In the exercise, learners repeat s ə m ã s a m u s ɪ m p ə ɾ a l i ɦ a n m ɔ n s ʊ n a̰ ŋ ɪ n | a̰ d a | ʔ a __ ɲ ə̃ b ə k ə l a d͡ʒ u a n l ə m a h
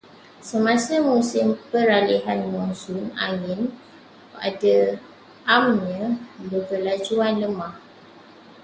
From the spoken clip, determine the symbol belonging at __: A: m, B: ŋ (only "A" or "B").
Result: A